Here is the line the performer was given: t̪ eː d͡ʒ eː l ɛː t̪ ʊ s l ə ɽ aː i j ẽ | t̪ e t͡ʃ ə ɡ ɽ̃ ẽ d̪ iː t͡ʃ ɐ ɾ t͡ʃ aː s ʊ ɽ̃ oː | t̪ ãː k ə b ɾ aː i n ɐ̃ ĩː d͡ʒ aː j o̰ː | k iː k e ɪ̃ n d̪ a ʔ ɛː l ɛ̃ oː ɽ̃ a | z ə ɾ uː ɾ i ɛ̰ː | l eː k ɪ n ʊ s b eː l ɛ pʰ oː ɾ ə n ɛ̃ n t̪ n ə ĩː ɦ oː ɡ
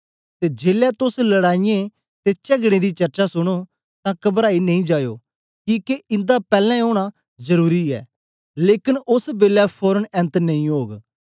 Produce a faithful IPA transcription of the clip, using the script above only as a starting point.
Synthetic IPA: t̪ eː d͡ʒ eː l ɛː t̪ ʊ s l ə ɽ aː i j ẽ | t̪ e t͡ʃ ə ɡ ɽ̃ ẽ d̪ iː t͡ʃ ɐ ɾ t͡ʃ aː s ʊ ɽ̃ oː | t̪ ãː k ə b ɾ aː i n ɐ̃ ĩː d͡ʒ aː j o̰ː | k iː k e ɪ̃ n d̪ a p ɛː l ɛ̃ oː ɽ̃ a | z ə ɾ uː ɾ i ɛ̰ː | l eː k ɪ n ʊ s b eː l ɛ pʰ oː ɾ ə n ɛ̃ n t̪ n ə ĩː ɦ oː ɡ